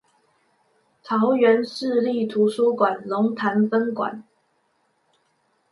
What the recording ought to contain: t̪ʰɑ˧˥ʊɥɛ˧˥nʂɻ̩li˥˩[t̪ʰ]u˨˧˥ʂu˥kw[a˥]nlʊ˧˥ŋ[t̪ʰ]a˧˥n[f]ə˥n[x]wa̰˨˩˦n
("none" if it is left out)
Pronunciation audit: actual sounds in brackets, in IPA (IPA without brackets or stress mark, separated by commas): t̪ʰ, a˨˩, t̪ʰ, f, k